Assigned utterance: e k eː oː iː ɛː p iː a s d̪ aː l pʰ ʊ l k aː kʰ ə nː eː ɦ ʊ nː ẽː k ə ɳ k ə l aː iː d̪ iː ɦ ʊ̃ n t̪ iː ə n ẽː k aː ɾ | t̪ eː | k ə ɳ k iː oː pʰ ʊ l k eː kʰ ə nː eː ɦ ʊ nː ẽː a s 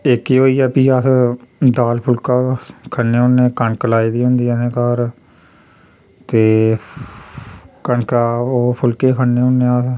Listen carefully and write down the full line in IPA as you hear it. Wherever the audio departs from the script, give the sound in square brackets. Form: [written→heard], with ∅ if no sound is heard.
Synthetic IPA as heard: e k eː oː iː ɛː p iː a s d̪ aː l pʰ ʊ l k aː kʰ ə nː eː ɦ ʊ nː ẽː k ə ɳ k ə l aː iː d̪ iː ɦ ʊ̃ n [t̪→d̪] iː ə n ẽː k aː ɾ | t̪ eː | k ə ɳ k [iː→aː] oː pʰ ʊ l k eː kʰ ə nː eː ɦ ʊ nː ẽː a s